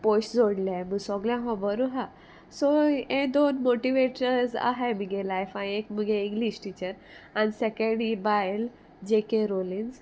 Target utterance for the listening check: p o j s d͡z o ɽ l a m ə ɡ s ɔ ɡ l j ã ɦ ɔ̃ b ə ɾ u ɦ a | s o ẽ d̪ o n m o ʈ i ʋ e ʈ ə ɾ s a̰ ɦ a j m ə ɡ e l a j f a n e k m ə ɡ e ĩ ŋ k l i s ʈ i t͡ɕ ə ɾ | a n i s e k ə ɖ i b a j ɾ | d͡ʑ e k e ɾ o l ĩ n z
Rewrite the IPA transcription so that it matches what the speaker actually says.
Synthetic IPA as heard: p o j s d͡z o ɽ l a m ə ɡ s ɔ ɡ l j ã ɦ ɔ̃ b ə ɾ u ɦ a | s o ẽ d̪ o n m o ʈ i ʋ e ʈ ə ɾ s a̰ ɦ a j m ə ɡ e l a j f a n e k m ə ɡ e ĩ ŋ ɡ l i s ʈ i t͡ɕ ə ɾ | a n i s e k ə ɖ i b a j l | d͡ʑ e k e ɾ o l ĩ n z